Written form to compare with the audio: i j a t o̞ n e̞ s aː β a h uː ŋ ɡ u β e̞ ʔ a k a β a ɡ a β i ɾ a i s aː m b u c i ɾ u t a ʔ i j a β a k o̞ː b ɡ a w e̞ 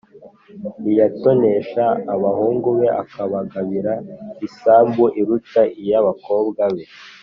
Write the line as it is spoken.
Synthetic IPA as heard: i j a t o̞ n e̞ ʃ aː β a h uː ŋ ɡ u β e̞ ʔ a k a β a ɡ a β i ɾ a i s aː m b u ʔ i ɾ u t a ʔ i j a β a k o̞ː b ɡ a β e̞